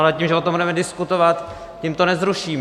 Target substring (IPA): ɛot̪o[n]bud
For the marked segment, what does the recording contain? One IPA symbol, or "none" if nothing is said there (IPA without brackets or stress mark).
m